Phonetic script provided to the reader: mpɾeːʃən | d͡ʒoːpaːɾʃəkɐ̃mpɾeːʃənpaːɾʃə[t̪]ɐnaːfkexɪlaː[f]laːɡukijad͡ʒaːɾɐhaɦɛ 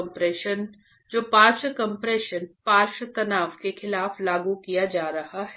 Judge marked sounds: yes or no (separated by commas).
yes, yes